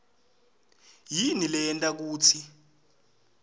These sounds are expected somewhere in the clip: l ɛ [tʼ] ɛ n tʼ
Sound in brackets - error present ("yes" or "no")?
yes